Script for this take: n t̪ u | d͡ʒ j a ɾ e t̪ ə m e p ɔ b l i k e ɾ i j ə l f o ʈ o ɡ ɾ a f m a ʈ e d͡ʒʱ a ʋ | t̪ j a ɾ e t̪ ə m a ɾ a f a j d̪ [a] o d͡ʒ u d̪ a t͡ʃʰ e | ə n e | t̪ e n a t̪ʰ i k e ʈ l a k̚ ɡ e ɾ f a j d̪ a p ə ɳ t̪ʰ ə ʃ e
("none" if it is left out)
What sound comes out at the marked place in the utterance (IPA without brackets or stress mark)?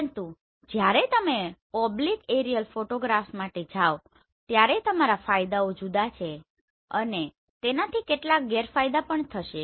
a